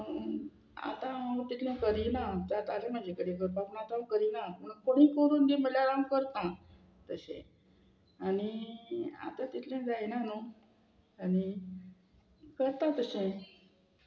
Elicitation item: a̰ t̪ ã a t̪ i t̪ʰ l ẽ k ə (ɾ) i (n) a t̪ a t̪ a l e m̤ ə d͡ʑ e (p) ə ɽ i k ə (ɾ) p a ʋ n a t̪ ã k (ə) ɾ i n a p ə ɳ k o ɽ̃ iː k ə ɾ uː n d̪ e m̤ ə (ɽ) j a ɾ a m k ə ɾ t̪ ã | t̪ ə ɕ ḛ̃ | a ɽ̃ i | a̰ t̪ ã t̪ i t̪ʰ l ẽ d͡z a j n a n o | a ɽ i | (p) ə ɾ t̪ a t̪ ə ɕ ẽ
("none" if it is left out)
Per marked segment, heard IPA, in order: ɾ, n, k, ɾ, ə, l, k

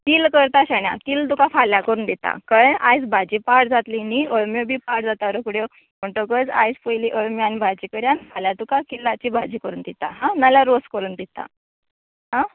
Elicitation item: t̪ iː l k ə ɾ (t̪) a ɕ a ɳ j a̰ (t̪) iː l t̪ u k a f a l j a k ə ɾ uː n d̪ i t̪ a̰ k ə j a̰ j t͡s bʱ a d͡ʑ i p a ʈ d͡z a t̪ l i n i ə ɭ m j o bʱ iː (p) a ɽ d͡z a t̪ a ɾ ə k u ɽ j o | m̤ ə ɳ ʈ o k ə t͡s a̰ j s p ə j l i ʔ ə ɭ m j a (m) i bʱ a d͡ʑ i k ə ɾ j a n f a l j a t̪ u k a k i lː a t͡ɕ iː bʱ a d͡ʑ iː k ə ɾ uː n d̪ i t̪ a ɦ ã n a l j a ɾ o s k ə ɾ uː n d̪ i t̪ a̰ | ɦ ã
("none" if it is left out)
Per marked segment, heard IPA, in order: t̪, t̪, p, n

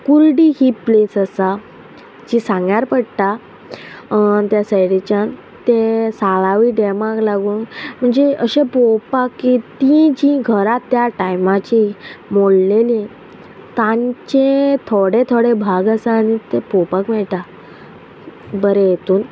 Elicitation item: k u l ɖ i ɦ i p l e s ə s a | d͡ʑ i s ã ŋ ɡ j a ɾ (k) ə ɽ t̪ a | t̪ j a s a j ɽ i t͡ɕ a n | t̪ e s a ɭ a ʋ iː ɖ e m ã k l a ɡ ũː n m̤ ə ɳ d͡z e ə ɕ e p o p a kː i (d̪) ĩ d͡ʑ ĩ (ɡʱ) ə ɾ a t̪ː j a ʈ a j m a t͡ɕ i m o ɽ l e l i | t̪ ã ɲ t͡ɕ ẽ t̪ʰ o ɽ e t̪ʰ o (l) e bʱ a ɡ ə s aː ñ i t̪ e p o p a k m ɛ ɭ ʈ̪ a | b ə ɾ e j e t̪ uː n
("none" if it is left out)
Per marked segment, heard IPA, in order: p, t̪, ɡʱ, ɽ

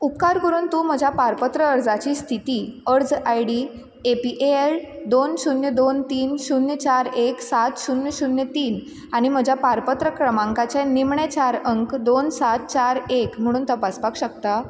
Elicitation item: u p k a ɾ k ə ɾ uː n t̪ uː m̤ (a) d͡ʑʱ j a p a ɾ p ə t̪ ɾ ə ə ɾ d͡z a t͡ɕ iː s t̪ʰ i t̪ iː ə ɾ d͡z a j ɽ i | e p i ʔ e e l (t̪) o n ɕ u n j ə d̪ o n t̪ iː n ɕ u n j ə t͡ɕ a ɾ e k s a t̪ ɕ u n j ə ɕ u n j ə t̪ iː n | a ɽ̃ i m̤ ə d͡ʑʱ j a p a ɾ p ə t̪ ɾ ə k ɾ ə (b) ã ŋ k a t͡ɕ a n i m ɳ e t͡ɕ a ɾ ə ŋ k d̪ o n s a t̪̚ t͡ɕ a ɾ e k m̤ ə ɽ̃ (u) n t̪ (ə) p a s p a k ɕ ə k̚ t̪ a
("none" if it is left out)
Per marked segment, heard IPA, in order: ə, d̪, m, uː, ə

